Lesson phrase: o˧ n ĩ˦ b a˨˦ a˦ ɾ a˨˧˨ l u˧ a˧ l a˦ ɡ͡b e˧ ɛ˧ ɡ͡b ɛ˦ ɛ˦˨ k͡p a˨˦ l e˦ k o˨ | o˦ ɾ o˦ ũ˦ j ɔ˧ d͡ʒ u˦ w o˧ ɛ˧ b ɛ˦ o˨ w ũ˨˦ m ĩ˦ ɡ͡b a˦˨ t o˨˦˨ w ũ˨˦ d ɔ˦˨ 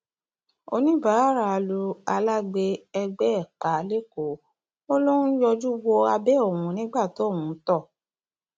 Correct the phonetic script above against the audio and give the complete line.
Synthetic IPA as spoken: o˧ n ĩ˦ b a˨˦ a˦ ɾ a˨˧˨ l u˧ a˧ l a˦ ɡ͡b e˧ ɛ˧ ɡ͡b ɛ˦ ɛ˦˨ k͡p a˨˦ l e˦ k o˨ | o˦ l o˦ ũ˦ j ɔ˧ d͡ʒ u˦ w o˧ a˧ b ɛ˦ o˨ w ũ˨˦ n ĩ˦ ɡ͡b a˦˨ t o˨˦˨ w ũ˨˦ t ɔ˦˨

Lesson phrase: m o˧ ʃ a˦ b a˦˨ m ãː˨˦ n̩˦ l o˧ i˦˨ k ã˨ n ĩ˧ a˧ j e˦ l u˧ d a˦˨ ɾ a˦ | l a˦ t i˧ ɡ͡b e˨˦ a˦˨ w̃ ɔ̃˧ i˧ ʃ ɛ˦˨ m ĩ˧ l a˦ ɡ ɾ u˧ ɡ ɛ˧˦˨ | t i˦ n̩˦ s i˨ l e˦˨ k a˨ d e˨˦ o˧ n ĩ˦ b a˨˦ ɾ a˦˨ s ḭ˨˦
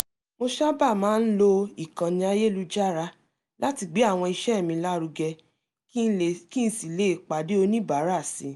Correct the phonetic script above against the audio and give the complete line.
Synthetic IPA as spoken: m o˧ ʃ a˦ b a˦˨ m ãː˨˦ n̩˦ l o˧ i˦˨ k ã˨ n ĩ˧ a˧ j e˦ l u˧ d͡ʒ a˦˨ ɾ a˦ | l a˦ t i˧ ɡ͡b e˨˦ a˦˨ w̃ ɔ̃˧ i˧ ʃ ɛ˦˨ m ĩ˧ l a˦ ɾ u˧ ɡ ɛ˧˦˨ | k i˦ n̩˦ s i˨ l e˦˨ k͡p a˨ d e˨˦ o˧ n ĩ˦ b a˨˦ ɾ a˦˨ s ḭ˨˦

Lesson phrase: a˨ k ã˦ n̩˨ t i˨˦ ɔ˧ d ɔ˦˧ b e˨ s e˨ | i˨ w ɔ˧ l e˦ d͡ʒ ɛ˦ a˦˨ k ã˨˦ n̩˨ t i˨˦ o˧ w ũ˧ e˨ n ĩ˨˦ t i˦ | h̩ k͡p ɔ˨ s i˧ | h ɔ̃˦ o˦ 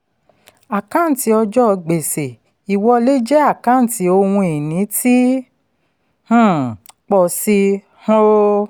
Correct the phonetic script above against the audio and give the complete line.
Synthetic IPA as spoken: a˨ k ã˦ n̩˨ t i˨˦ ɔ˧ d͡ʒ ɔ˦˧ ɡ͡b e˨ s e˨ | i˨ w ɔ˧ l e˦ d͡ʒ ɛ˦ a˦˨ k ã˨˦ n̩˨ t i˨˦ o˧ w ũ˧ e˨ n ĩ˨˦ t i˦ | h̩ k͡p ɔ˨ s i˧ | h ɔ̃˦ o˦

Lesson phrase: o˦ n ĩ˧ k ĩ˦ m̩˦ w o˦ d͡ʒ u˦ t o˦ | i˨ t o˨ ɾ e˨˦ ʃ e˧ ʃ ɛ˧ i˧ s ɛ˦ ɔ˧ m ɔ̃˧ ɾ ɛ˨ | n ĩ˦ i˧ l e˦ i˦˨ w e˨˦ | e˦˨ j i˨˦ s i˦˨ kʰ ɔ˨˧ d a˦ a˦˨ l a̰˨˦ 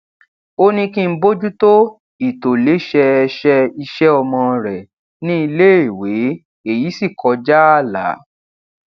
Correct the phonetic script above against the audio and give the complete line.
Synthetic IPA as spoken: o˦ n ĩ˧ k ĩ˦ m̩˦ b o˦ d͡ʒ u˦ t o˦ | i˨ t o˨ l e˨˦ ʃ ɛ˧ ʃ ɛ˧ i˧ ʃ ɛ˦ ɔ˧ m ɔ̃˧ ɾ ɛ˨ | n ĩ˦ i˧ l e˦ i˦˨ w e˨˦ | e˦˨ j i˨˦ s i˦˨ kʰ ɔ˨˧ d͡ʒ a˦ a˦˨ l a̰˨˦

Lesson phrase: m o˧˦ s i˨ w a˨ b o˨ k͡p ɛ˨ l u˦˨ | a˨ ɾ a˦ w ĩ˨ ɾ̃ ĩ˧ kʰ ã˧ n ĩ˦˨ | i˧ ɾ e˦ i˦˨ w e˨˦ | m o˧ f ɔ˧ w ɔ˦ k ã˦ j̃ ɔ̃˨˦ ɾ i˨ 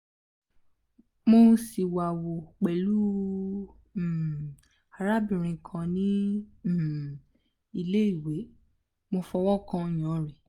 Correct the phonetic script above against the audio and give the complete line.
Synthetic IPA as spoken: m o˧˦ s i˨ w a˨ w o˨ k͡p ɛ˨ l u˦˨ | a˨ ɾ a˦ b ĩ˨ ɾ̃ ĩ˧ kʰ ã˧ n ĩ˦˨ | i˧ l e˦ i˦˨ w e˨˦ | m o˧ f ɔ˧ w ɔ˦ k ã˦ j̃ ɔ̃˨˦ ɾ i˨

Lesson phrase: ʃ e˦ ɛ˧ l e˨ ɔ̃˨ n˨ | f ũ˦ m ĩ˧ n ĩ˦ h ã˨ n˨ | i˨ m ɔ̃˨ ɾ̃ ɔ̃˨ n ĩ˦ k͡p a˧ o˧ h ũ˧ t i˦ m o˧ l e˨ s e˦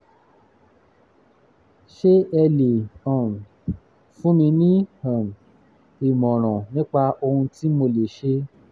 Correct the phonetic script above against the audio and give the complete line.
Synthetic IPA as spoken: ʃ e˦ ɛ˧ l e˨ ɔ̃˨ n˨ | f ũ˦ m ĩ˧ n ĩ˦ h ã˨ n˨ | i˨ m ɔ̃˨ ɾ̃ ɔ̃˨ n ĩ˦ k͡p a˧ o˧ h ũ˧ t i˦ m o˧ l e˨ ʃ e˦

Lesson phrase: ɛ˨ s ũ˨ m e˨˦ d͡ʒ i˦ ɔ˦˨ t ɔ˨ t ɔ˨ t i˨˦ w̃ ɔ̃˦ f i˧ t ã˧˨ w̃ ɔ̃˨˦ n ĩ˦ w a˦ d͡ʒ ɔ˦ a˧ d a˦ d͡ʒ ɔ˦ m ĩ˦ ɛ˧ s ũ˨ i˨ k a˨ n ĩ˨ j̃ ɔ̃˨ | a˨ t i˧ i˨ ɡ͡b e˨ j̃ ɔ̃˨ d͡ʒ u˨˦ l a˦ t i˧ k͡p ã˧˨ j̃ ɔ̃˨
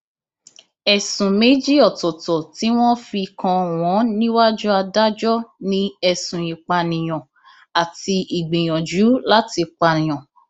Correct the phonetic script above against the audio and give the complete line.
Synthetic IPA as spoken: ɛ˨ s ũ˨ m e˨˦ d͡ʒ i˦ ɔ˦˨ t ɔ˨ t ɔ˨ t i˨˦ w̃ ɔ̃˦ f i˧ k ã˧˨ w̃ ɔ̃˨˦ n ĩ˦ w a˦ d͡ʒ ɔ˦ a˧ d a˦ d͡ʒ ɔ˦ n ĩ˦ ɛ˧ s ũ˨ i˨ k͡p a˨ n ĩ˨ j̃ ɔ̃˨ | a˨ t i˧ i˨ ɡ͡b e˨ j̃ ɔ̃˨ d͡ʒ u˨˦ l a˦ t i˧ k͡p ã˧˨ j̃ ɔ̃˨

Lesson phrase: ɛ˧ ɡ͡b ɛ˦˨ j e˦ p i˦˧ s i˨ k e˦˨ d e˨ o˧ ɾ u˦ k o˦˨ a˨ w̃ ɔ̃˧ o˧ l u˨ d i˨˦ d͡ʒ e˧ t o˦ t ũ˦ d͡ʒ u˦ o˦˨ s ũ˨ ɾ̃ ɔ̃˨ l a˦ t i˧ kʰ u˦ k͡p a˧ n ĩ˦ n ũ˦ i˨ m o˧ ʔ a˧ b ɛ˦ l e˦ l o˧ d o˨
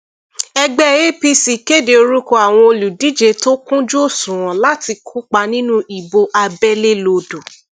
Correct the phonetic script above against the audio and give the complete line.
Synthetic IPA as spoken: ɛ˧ ɡ͡b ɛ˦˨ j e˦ p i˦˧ s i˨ k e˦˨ d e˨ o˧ ɾ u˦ k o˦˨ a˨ w̃ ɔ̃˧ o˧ l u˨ d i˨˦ d͡ʒ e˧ t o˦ k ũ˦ d͡ʒ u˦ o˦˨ s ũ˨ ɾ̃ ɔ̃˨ l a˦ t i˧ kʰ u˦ k͡p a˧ n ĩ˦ n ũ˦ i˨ b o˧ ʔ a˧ b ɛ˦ l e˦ l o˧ d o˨

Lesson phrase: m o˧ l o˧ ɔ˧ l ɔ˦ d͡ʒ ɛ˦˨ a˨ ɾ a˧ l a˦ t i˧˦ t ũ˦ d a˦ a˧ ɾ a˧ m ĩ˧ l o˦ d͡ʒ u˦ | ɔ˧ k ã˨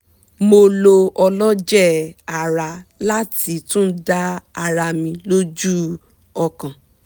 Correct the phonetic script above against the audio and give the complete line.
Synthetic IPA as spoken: m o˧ l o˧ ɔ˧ l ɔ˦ d͡ʒ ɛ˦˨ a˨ ɾ a˧ l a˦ t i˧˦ t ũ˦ d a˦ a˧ ɾ a˧ m ĩ˧ l o˦ d͡ʒ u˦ | ɔ˧ k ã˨

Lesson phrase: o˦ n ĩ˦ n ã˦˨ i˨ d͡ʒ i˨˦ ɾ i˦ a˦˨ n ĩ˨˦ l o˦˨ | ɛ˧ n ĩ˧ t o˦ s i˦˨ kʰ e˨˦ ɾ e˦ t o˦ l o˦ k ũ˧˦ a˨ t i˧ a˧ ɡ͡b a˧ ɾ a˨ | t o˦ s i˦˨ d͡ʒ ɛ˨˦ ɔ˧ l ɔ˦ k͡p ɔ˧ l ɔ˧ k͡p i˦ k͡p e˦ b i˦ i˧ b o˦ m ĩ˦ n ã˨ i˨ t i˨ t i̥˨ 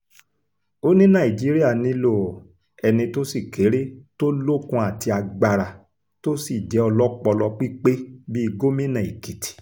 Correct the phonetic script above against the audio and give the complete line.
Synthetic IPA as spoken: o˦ n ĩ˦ n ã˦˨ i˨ d͡ʒ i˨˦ ɾ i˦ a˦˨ n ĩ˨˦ l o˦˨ | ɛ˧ n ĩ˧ t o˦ s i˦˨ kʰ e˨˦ ɾ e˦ t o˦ l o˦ k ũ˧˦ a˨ t i˧ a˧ ɡ͡b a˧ ɾ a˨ | t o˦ s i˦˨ d͡ʒ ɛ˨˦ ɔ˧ l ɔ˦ k͡p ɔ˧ l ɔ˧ k͡p i˦ k͡p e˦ b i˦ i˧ ɡ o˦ m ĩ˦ n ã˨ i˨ k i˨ t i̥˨

